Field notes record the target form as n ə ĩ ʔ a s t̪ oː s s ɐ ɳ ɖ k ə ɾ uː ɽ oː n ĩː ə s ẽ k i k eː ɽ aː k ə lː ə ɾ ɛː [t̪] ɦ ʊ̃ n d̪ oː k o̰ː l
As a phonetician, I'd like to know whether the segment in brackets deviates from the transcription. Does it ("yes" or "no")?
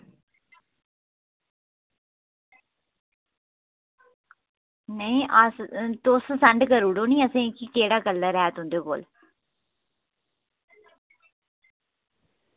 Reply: no